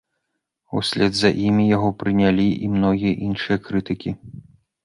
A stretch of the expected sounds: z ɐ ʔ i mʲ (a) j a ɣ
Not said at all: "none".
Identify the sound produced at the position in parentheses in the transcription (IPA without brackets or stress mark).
i